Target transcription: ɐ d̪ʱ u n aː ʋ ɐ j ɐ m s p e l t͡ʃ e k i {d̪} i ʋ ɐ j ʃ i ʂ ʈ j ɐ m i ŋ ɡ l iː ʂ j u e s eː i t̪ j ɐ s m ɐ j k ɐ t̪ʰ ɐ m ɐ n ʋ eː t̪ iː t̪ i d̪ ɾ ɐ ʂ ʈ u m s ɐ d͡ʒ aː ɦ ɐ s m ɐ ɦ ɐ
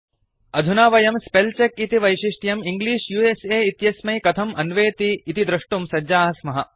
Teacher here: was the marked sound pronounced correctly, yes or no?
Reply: no